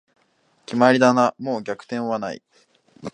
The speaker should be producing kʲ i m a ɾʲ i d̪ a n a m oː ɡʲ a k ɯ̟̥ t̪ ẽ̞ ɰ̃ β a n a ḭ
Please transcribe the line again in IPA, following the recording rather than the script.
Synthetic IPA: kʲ i m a ɾʲ i d̪ a n a m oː ɡʲ a k ɯ̟̥ t̪ ẽ̞ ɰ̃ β a n a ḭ